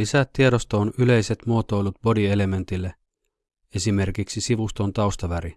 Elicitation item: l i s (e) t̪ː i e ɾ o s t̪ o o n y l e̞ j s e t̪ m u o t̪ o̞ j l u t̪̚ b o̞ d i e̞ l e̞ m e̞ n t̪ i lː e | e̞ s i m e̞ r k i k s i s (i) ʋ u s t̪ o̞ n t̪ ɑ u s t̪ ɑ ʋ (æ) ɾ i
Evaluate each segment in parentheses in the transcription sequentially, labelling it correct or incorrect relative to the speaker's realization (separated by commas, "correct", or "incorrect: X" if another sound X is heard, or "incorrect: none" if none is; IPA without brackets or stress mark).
incorrect: æ, correct, correct